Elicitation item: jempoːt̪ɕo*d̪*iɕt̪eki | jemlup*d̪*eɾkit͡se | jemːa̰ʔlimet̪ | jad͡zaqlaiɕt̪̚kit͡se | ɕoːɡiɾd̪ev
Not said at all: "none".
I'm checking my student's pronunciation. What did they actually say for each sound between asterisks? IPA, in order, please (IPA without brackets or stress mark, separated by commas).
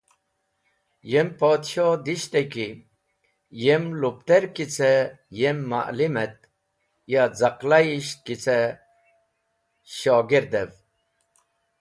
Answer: d̪, t̪